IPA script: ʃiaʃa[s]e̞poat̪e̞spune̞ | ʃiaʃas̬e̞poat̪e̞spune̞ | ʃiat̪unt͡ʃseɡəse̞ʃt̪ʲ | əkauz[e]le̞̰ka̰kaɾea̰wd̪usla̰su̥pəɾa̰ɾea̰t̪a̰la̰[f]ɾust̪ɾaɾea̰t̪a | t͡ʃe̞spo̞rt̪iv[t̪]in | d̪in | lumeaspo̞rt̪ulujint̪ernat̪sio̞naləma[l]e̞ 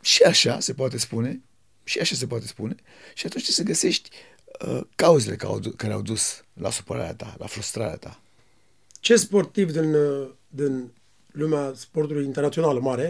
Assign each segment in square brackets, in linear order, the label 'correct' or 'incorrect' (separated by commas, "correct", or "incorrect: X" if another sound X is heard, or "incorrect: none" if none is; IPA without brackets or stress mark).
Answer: correct, correct, correct, incorrect: d̪, incorrect: ɾ